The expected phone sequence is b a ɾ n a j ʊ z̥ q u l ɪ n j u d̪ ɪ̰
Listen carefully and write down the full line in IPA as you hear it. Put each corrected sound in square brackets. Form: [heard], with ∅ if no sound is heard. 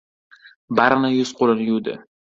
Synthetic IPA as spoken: b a ɾ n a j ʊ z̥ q [o] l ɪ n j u d̪ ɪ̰

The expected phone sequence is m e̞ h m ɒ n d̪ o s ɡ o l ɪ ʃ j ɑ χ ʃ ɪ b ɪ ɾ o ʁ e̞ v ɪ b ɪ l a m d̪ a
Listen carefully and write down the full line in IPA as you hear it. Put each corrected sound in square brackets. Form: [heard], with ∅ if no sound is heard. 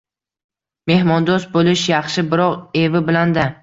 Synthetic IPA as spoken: m e̞ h m ɒ n d̪ o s [b] o l ɪ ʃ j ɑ χ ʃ ɪ b ɪ ɾ [ɒ] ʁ e̞ v ɪ b ɪ l a [n] d̪ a

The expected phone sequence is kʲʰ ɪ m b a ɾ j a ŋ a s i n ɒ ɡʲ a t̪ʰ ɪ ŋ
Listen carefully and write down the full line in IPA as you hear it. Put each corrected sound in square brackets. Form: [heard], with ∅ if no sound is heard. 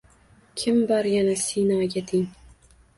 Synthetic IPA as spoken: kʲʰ ɪ m b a ɾ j a [n] a s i n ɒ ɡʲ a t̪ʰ ɪ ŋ

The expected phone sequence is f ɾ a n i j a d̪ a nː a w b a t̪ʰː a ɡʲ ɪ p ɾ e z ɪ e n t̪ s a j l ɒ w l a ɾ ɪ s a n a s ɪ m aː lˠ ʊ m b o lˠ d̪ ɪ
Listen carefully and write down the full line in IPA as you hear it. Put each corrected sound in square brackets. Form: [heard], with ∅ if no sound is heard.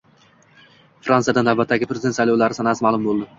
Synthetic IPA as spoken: f ɾ a n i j a d̪ a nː a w b a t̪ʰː a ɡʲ ɪ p ɾ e z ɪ e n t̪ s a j l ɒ w l a ɾ ɪ s a n a s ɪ m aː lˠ ʊ m b o lˠ d̪ ɪ

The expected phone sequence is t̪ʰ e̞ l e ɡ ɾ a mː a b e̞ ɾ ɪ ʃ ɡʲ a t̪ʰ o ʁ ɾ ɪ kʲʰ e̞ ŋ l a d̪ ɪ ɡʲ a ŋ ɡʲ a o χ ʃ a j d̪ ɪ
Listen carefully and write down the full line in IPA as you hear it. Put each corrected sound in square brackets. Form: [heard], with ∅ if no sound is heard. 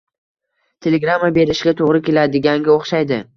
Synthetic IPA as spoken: t̪ʰ e̞ l e ɡ ɾ a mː a b e̞ ɾ ɪ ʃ ɡʲ a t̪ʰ o ʁ ɾ ɪ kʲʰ e̞ [∅] l a d̪ ɪ ɡʲ a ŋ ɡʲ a o χ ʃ a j d̪ ɪ

